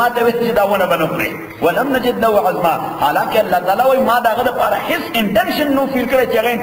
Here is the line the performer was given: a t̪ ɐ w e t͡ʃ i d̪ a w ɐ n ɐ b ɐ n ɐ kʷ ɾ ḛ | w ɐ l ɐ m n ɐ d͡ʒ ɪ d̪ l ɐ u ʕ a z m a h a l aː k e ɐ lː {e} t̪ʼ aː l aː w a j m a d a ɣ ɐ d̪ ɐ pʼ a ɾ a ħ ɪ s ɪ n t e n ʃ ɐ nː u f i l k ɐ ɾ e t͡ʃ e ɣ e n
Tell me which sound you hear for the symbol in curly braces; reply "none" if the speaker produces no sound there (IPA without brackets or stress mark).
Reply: a